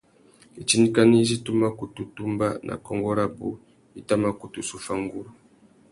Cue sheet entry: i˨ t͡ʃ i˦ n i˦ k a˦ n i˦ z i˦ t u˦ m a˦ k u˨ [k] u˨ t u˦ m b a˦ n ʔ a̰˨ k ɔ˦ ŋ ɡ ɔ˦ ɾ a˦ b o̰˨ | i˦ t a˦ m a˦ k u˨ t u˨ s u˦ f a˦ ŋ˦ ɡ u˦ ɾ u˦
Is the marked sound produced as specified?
no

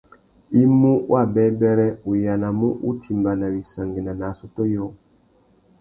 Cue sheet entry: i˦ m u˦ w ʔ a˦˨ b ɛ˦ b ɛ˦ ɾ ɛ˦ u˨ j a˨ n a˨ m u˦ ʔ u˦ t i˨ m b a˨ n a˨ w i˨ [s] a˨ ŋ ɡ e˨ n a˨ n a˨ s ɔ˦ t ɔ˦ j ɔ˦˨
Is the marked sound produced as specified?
yes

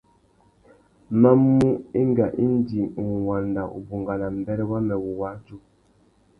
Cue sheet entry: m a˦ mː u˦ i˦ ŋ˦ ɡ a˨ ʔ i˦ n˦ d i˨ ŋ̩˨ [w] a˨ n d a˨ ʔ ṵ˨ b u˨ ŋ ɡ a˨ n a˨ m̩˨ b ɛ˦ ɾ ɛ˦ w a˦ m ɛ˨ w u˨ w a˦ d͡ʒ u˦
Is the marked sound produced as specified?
yes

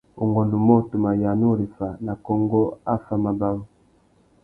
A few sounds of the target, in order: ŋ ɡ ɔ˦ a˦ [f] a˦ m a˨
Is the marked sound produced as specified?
yes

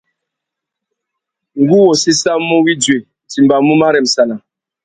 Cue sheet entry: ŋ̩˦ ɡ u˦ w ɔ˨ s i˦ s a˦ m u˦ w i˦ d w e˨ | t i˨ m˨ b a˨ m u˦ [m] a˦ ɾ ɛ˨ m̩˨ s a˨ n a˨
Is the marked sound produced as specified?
yes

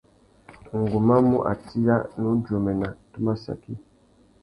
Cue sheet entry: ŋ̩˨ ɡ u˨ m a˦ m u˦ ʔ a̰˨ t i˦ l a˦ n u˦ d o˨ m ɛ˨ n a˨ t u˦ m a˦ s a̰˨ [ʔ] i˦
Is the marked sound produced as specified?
no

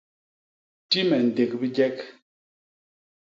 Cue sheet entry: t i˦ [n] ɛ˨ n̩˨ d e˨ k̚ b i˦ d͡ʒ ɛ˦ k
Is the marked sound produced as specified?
no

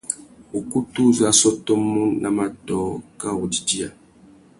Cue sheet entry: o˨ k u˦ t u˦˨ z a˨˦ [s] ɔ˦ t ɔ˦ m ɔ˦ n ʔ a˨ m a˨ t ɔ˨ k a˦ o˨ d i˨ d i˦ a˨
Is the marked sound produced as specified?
yes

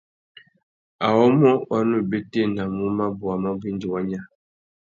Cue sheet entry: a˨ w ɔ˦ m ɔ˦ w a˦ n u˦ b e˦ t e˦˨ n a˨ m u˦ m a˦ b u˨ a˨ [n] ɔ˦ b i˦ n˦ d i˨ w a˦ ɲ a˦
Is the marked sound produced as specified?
no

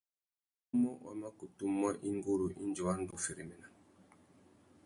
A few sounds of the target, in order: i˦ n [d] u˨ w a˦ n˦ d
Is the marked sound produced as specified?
no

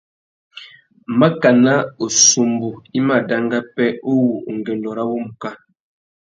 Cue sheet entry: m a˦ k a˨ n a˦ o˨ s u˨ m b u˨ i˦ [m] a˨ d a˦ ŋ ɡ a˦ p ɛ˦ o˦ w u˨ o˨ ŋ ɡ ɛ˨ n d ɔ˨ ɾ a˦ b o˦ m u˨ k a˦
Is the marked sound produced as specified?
yes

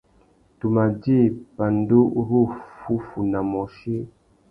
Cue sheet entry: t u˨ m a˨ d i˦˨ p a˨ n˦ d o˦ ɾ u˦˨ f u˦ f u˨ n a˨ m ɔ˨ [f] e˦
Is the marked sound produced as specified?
no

